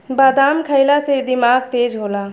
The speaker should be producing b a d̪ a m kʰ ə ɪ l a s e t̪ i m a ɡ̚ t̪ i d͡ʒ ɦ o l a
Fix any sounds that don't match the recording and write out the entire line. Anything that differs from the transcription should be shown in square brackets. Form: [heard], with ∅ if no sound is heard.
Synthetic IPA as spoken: b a d̪ a m kʰ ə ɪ l a s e [d̪] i m a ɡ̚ t̪ [e] d͡ʒ ɦ o l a